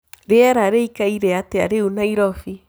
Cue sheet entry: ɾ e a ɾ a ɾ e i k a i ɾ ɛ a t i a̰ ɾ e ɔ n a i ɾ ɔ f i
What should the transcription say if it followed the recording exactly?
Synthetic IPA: ɾ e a ɾ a ɾ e i k a i ɾ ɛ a t e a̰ ɾ e u n a i ɾ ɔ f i